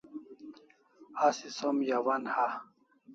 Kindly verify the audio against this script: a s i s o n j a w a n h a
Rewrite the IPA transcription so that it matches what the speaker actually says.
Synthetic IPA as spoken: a s i s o m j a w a n h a